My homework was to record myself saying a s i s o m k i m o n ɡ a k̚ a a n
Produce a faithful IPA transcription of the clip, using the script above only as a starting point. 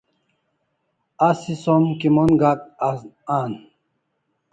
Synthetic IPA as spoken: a s i s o m k i m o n ɡ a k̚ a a n